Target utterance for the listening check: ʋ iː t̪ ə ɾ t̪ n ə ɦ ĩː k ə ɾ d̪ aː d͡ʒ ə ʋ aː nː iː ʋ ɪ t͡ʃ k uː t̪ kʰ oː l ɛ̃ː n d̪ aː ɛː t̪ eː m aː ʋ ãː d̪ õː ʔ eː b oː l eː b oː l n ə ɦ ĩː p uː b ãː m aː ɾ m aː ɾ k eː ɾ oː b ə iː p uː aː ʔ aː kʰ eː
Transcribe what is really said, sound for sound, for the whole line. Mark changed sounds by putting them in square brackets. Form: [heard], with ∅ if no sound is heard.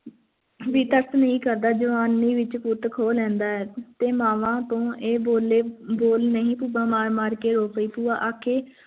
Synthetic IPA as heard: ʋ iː t̪ ə ɾ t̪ n ə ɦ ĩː k ə ɾ d̪ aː d͡ʒ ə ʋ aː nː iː ʋ ɪ t͡ʃ k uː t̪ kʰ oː l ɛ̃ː n d̪ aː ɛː t̪ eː m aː ʋ ãː [t̪] õː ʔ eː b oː l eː b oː l n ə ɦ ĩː p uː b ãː m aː ɾ m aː ɾ k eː ɾ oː [p] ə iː p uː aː ʔ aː kʰ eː